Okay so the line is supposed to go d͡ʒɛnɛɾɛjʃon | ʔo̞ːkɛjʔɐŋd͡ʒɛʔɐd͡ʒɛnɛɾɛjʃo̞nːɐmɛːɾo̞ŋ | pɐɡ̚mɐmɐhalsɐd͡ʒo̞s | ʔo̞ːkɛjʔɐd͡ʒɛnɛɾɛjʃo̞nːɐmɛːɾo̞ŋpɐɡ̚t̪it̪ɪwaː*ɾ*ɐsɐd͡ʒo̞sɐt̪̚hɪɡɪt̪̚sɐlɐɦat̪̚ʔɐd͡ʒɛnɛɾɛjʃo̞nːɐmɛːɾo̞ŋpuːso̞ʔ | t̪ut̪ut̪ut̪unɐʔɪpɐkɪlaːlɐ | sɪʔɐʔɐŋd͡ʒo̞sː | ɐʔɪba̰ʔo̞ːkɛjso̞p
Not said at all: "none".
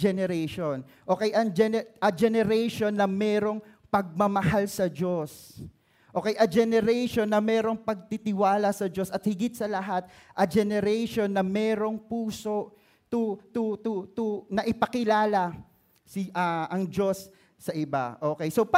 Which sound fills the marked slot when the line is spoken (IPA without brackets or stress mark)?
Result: l